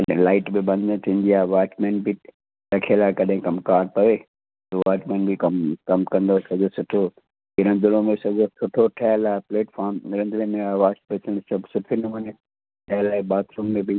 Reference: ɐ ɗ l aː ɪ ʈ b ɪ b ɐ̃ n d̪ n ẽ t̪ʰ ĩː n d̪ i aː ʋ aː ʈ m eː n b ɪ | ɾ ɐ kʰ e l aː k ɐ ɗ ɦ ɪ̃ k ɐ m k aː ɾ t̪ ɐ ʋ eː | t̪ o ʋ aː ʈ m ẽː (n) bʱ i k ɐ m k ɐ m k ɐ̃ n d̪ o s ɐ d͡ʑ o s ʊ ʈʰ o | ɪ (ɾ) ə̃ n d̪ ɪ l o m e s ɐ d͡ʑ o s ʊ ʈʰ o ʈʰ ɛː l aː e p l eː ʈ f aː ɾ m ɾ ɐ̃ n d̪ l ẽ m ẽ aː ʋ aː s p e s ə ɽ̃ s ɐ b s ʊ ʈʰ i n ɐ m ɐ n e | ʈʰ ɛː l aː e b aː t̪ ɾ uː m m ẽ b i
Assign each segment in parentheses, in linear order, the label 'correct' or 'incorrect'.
correct, correct

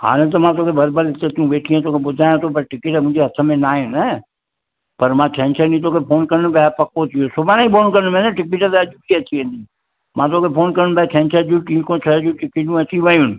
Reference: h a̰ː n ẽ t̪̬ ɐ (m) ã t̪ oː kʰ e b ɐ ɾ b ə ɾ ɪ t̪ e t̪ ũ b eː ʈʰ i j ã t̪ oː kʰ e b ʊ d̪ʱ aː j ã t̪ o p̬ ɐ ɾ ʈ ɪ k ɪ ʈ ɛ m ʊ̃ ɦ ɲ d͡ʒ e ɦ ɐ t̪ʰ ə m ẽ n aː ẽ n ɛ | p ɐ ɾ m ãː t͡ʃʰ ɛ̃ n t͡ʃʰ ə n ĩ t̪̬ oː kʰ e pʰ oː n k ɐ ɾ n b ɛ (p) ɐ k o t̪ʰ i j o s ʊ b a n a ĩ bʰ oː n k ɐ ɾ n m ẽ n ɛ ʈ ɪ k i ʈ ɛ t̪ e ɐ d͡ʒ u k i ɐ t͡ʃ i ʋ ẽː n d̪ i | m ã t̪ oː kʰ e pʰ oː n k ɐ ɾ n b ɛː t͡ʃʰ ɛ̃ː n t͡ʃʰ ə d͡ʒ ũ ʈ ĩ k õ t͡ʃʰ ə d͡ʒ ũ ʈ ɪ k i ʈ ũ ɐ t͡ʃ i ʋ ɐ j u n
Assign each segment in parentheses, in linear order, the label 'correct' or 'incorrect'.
correct, correct

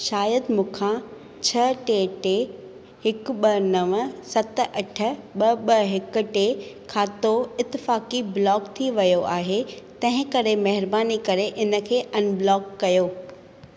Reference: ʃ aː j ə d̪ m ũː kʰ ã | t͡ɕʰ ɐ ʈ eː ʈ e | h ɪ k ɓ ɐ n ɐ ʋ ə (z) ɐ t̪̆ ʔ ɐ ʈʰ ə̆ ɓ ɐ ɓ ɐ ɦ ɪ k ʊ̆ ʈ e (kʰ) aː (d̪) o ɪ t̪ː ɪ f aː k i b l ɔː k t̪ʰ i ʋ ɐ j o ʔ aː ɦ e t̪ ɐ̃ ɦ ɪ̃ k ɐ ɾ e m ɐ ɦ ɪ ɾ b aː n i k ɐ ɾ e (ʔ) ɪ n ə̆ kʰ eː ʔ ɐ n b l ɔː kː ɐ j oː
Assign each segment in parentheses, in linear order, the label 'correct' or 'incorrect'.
incorrect, correct, incorrect, correct

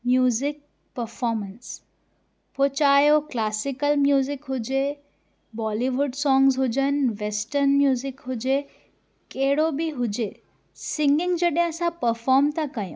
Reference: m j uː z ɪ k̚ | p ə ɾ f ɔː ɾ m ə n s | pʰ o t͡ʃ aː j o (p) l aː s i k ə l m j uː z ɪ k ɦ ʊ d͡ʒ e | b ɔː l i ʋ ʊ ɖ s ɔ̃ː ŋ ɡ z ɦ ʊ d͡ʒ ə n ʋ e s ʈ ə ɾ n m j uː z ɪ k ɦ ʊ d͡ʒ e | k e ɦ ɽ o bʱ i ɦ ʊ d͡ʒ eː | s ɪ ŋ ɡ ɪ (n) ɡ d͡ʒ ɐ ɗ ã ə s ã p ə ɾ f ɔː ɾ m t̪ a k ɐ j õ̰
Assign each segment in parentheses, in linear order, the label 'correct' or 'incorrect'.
incorrect, incorrect

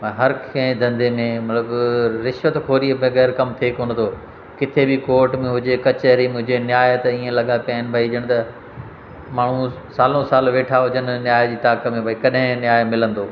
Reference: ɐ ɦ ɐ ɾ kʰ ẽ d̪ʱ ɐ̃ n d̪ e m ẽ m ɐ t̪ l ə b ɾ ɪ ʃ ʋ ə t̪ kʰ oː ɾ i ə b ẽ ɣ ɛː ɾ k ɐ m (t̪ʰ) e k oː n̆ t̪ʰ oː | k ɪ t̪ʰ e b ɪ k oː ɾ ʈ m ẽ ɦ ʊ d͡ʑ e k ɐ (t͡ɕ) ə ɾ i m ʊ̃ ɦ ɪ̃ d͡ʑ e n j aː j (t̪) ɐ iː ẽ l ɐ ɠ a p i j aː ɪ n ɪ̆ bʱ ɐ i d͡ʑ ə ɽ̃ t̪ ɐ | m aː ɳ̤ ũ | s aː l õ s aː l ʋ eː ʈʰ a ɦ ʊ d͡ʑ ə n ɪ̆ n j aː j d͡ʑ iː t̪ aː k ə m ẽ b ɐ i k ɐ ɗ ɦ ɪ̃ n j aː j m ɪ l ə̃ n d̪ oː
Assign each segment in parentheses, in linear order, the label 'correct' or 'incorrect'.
correct, correct, correct

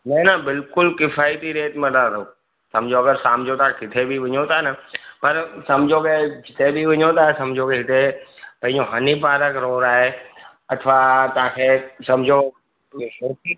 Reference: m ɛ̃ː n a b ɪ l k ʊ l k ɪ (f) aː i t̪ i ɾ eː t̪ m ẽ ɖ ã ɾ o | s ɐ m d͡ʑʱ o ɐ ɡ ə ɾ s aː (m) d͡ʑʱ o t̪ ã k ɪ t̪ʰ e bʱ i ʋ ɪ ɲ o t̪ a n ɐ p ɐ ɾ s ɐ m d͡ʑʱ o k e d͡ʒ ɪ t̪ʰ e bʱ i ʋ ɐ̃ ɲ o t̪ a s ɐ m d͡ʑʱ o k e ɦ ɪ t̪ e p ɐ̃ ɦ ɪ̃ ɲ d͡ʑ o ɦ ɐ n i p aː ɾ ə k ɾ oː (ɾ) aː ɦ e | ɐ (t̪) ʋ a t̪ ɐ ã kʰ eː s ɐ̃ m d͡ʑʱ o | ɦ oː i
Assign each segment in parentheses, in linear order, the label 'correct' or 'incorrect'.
correct, correct, correct, incorrect

